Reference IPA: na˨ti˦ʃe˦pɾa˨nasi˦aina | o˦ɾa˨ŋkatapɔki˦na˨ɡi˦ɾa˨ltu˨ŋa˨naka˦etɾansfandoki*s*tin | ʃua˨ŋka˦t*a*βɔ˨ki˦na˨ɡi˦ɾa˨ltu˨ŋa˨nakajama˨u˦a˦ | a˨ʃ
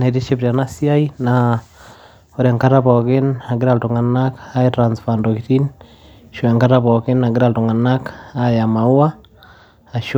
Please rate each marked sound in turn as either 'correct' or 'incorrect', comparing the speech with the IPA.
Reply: incorrect, correct

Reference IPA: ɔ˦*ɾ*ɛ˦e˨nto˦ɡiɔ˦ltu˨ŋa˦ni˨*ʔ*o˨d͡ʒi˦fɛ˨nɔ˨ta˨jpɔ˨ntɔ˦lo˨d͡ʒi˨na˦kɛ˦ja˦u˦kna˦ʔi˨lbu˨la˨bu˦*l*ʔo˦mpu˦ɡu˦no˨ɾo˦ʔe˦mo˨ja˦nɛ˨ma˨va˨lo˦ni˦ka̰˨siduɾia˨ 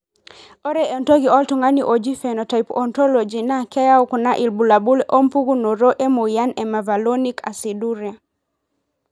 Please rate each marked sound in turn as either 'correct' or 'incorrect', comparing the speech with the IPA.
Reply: correct, correct, correct

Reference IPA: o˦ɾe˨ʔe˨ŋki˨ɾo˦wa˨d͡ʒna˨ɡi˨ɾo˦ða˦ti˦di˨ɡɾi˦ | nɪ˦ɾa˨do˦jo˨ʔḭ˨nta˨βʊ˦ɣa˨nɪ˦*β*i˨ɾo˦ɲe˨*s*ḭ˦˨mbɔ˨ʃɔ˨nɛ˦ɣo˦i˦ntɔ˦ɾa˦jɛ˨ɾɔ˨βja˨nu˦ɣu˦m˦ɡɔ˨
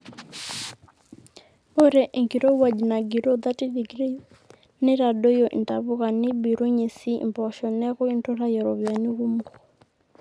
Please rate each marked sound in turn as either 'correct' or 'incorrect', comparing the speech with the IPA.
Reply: incorrect, correct

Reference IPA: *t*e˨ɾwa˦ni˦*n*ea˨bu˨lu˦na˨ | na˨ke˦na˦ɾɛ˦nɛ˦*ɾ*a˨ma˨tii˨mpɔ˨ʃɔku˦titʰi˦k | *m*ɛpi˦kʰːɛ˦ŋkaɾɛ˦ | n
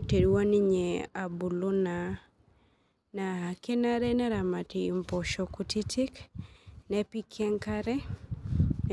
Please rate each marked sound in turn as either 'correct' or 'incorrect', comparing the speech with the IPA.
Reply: correct, incorrect, correct, incorrect

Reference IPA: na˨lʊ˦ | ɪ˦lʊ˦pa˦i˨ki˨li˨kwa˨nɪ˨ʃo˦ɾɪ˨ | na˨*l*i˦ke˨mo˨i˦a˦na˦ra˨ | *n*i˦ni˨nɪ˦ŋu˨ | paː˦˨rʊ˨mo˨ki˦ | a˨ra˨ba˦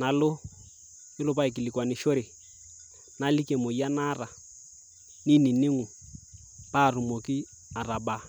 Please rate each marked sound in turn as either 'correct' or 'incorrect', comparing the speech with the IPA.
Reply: correct, correct

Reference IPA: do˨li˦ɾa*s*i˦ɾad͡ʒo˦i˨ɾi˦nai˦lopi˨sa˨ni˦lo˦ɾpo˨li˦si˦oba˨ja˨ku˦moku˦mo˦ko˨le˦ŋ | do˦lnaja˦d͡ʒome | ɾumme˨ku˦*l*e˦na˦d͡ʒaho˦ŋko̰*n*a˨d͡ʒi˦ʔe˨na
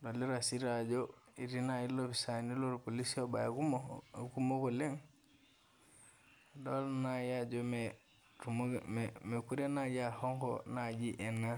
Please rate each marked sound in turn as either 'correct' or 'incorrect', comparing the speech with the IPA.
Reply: correct, incorrect, correct

